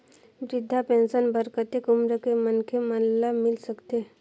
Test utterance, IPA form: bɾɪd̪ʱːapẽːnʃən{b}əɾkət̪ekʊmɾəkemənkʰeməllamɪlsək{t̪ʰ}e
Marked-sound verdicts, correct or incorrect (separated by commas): correct, incorrect